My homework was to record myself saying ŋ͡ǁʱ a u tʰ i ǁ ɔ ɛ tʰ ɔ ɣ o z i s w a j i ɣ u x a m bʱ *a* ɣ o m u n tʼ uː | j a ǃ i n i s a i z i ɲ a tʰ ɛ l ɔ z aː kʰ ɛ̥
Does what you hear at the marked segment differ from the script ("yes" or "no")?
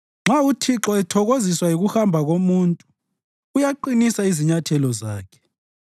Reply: no